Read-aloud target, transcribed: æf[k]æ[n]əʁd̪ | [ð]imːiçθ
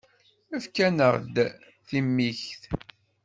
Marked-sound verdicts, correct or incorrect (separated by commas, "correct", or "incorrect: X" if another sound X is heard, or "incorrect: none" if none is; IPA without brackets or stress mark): correct, correct, incorrect: θ